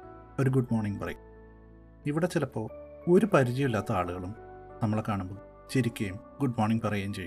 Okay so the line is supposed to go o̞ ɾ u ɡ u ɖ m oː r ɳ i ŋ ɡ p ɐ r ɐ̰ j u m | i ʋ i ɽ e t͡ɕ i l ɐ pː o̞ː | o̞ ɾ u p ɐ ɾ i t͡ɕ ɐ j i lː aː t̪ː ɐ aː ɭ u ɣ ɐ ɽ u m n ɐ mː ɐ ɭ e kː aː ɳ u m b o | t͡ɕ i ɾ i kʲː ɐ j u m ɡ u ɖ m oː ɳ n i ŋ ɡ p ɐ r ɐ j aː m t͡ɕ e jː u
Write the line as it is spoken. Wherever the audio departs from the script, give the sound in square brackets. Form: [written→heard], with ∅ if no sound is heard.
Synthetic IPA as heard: o̞ ɾ u ɡ u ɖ m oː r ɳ i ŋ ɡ p ɐ r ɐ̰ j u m | i ʋ i ɽ e t͡ɕ i l ɐ pː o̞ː | o̞ ɾ u p ɐ ɾ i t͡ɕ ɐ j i lː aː t̪ː ɐ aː ɭ u ɣ ɐ [ɽ→ɭ] u m n ɐ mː ɐ ɭ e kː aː ɳ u m b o | t͡ɕ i ɾ i kʲː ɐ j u m ɡ u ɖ m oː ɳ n i ŋ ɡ p ɐ r ɐ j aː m t͡ɕ e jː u